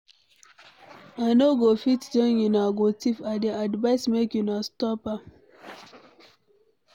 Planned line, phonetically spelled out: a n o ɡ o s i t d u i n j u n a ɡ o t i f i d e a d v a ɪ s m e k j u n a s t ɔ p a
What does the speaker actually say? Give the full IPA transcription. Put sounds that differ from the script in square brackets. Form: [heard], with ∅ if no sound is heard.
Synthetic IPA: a n o ɡ o [f] i t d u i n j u n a ɡ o t i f [a] d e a d v a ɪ s m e k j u n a s t ɔ p a